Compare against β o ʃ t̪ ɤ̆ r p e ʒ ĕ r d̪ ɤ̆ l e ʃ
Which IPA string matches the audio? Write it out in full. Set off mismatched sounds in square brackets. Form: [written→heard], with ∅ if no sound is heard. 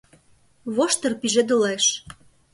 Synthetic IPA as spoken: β o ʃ t̪ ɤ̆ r p [e→i] ʒ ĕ [r→∅] d̪ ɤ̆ l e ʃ